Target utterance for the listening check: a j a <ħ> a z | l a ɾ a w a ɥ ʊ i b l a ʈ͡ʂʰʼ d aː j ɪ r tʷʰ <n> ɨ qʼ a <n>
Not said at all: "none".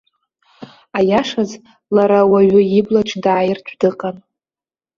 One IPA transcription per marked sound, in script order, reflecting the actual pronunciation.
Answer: ʂ, d, n

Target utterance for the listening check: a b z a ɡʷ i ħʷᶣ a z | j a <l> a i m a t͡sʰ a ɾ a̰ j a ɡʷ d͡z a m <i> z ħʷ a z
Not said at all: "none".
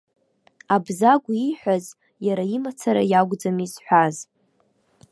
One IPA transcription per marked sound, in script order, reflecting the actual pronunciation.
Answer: ɾ, i

